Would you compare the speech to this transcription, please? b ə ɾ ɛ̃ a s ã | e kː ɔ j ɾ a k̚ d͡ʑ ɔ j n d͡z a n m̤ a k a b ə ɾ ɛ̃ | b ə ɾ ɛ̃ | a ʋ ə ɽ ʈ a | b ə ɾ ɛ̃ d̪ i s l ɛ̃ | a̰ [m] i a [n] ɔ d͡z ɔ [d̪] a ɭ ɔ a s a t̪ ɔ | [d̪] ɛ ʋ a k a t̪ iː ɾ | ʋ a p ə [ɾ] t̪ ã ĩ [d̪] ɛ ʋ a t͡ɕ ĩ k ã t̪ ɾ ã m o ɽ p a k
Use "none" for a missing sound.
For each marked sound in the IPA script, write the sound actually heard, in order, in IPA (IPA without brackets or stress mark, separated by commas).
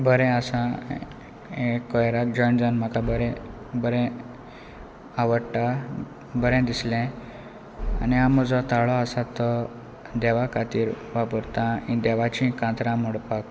n, m, t̪, d̪, ɾ, d̪